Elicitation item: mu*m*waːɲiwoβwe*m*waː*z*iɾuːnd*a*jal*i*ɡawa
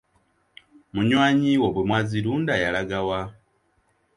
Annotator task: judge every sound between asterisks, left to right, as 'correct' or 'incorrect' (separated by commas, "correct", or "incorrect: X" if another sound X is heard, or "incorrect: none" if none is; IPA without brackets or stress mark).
incorrect: ɲ, correct, correct, correct, incorrect: a